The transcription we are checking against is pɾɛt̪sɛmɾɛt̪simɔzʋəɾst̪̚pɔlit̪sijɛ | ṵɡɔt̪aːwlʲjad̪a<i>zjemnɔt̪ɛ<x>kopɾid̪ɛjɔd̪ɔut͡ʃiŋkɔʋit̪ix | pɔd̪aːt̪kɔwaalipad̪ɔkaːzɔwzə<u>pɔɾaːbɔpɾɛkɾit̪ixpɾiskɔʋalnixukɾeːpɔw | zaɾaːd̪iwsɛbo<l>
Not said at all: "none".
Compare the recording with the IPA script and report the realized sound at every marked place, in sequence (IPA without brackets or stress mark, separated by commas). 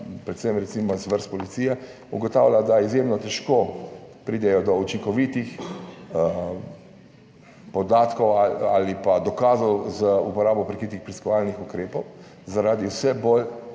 i, ʃ, u, l